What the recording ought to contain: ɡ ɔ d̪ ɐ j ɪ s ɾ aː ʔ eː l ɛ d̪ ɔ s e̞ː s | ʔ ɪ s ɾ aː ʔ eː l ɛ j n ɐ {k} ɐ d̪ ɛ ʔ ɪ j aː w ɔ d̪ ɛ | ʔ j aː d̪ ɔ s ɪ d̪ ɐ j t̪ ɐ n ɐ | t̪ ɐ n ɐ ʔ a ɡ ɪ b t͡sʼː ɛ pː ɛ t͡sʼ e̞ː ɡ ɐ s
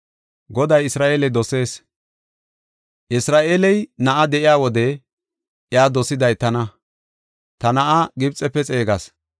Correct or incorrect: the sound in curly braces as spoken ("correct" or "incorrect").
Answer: incorrect